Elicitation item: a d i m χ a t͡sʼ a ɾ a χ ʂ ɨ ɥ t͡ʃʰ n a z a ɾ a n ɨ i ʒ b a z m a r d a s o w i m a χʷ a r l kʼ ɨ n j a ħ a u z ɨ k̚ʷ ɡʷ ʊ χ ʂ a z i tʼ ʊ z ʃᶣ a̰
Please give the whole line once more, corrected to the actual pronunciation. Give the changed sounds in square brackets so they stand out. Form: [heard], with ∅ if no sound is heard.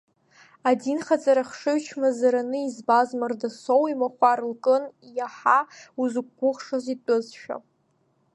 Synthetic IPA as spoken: a d i [n] χ a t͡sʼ a ɾ a χ ʂ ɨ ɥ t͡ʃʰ [m] a z a ɾ a n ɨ i [z] b a z m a r d a s o w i m a χʷ a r l kʼ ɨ n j a ħ a u z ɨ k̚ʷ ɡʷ ʊ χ ʂ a z i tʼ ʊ z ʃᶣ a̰